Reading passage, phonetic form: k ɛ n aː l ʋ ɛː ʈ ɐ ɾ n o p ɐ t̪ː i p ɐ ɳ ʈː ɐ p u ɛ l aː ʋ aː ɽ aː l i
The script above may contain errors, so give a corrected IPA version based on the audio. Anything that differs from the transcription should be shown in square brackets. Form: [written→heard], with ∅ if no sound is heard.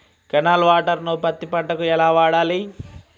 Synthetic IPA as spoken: k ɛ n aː l ʋ [ɛː→aː] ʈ ɐ ɾ n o p ɐ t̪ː i p ɐ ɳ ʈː ɐ [p→k] u ɛ l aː ʋ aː ɽ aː l i